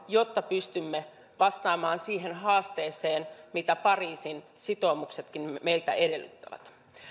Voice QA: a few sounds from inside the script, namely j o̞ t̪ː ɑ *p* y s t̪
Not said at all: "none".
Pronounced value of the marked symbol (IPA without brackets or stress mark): p